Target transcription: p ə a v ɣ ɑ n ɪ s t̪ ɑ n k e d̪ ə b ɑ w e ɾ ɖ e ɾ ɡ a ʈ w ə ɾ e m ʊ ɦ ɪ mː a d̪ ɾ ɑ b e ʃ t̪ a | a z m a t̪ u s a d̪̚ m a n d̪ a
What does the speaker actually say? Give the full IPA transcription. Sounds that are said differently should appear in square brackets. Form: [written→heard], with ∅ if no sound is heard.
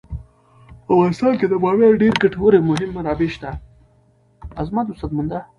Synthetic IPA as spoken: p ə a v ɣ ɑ n ɪ s t̪ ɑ n k e d̪ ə b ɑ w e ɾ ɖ e ɾ ɡ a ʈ w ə ɾ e m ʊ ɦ ɪ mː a [d̪→∅] ɾ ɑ b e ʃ t̪ a | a z m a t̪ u s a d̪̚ m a n d̪ a